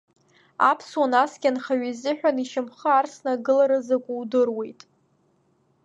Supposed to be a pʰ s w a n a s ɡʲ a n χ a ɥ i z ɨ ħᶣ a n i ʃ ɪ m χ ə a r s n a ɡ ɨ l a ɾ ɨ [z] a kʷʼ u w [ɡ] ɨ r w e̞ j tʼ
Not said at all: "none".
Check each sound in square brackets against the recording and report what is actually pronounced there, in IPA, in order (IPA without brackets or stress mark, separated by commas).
z, d